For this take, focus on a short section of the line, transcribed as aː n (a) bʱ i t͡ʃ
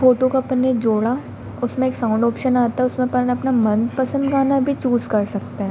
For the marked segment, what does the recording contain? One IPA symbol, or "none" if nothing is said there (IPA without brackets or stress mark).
a